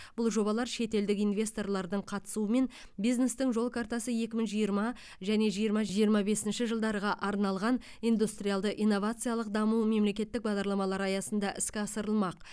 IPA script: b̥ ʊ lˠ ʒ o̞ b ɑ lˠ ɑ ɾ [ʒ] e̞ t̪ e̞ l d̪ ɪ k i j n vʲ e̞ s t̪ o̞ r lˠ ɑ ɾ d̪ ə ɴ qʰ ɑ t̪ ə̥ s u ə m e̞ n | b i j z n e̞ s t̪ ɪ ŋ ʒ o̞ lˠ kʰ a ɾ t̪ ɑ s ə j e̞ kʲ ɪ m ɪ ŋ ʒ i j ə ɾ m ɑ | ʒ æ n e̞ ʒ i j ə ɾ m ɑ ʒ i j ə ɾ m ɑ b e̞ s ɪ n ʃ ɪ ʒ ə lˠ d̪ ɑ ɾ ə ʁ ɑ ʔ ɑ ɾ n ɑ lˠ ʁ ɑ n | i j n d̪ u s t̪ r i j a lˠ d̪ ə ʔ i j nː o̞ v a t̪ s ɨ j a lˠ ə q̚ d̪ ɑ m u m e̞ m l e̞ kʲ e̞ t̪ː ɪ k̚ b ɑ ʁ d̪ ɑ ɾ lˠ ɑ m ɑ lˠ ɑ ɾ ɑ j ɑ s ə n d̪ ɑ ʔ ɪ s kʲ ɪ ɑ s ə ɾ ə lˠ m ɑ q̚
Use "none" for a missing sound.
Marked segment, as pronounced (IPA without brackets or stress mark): ʃ